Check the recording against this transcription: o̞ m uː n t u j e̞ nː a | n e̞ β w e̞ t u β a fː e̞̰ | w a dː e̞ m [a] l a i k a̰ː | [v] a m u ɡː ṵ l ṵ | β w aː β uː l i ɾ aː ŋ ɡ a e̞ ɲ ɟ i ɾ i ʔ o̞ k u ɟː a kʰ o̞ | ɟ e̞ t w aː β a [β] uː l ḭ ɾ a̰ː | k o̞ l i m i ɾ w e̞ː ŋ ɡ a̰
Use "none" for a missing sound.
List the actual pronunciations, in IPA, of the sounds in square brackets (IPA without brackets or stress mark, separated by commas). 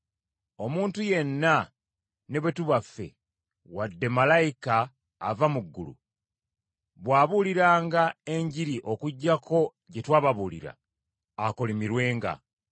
a, v, β